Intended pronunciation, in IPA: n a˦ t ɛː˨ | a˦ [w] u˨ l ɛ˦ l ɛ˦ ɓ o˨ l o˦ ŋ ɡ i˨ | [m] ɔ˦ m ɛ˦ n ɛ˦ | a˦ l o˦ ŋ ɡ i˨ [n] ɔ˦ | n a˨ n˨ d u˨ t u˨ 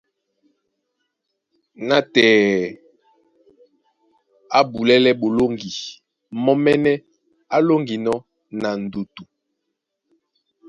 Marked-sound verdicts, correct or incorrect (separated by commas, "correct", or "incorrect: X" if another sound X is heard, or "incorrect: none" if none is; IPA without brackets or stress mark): incorrect: b, correct, correct